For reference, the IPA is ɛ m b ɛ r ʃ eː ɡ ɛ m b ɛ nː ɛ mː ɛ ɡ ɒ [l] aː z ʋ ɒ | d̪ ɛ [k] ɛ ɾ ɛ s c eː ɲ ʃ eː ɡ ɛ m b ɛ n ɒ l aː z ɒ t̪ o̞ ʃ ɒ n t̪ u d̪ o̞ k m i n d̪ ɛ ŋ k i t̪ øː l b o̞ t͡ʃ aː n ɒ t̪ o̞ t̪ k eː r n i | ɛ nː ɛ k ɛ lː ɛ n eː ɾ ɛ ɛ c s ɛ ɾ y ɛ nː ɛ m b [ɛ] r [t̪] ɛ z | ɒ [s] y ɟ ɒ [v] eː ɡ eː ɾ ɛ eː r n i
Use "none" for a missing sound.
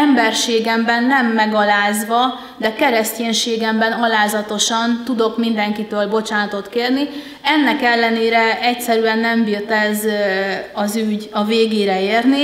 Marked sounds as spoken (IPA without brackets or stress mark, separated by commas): l, k, i, t̪, z, v